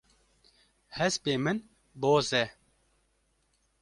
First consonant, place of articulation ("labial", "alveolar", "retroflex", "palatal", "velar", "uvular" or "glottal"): glottal